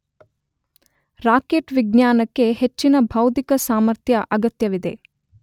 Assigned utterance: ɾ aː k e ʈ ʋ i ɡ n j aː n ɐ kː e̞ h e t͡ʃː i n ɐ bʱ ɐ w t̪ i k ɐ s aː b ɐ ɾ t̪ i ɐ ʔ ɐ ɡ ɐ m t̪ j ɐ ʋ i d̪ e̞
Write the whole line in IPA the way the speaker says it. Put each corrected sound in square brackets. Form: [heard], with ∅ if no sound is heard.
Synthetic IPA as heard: ɾ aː k e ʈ ʋ i ɡ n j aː n ɐ kː e̞ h e t͡ʃː i n ɐ bʱ ɐ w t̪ i k ɐ s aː [m] ɐ ɾ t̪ [j] ɐ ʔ ɐ ɡ ɐ [∅] t̪ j ɐ ʋ i d̪ e̞